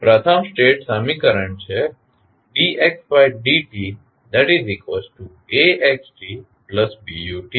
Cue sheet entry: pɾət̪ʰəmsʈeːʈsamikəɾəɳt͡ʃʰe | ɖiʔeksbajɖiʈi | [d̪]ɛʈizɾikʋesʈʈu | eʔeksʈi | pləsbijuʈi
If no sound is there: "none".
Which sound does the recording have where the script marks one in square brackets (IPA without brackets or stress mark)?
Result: d̪